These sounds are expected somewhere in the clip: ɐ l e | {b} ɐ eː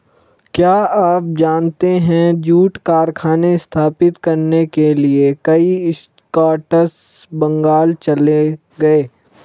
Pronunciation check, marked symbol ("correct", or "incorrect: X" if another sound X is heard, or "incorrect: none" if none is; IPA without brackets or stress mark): incorrect: ɡ